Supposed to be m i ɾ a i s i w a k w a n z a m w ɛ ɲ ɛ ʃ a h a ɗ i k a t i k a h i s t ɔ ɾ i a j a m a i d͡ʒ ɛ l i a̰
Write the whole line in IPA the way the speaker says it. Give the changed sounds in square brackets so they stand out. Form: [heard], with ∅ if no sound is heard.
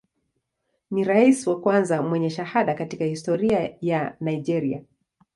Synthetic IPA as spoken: [n] i ɾ a i s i w a k w a n z a m w ɛ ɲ ɛ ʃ a h a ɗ [a] k a t i k a h i s t ɔ ɾ i a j a [n] a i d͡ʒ ɛ [ɾ] i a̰